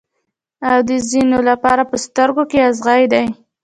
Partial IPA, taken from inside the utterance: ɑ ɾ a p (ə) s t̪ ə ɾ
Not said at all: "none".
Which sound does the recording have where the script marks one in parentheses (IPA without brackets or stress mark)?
ə